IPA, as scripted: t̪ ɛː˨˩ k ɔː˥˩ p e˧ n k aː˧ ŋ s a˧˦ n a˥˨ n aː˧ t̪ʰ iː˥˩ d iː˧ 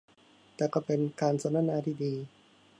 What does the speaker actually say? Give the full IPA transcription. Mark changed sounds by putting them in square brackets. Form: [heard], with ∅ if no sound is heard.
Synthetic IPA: t̪ ɛː˨˩ k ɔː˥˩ p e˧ n k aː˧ [n] s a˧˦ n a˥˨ n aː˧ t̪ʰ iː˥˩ d iː˧